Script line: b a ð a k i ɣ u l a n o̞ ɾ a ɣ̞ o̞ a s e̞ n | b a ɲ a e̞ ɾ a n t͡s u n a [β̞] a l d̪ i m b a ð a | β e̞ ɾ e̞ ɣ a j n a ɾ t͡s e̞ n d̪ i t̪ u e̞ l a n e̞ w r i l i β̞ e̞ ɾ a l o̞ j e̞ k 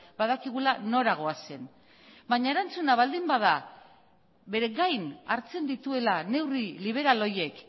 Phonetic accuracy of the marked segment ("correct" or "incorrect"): correct